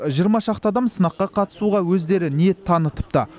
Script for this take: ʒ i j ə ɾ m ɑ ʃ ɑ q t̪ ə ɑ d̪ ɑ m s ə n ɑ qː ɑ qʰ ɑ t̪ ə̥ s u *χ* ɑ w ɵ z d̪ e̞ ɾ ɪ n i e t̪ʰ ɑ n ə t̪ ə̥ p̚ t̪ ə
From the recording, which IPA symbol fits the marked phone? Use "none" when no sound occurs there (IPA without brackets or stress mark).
ʁ